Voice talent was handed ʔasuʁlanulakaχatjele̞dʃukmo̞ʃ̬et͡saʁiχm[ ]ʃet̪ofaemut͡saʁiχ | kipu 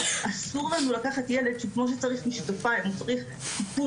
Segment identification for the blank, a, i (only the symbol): i